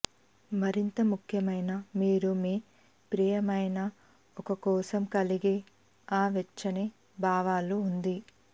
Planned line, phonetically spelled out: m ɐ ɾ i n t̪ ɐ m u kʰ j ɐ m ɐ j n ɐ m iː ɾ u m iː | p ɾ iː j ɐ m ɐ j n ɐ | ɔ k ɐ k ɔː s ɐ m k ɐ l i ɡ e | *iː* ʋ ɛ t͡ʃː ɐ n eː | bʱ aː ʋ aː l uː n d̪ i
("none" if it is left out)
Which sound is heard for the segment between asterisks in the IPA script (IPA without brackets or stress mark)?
aː